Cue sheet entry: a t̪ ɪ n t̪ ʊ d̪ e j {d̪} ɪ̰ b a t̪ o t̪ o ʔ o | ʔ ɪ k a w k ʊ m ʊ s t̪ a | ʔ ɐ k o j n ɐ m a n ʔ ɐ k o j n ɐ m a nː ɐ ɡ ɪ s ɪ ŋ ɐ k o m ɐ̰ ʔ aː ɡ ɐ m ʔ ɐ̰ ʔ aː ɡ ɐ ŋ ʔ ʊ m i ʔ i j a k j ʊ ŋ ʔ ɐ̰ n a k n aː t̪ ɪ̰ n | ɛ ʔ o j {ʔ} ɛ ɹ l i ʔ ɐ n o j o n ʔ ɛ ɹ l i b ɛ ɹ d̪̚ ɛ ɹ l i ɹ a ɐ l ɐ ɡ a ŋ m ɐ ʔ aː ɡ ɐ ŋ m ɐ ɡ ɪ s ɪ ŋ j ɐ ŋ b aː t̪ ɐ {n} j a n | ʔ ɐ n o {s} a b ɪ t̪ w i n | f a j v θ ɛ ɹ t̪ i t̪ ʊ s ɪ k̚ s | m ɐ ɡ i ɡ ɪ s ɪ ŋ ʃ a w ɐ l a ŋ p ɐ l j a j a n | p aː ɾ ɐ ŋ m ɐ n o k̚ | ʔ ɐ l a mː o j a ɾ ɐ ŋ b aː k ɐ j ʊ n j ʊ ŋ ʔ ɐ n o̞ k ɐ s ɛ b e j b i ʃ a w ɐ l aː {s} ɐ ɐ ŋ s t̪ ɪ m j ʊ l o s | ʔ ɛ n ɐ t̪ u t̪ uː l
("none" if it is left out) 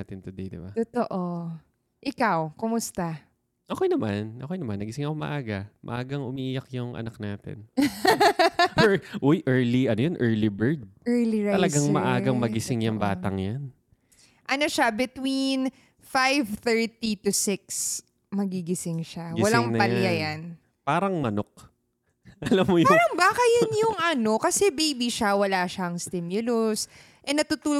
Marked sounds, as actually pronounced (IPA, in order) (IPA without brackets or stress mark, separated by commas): d̪, ʔ, ŋ, ʃ, ʃ